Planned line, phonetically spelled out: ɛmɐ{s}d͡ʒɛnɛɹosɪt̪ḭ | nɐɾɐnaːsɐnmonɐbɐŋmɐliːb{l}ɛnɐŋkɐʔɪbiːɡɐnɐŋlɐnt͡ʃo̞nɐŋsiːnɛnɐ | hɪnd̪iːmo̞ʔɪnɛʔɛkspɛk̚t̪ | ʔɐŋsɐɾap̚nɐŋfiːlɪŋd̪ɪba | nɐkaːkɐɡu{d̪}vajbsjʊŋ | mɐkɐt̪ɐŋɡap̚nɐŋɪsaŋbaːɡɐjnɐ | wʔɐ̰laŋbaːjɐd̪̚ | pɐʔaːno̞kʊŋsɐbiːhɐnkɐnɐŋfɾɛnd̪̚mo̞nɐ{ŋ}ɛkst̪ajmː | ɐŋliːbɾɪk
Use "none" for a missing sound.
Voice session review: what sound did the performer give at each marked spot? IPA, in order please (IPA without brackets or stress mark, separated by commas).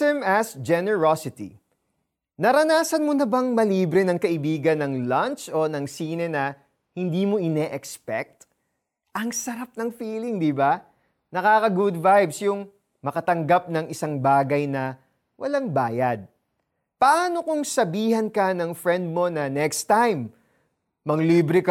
s, ɾ, d̪, n